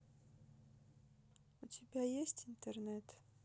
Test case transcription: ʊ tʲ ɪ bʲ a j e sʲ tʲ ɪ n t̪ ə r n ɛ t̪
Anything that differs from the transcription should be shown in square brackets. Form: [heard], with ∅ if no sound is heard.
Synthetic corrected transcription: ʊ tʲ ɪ bʲ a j e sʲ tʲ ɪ n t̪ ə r n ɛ t̪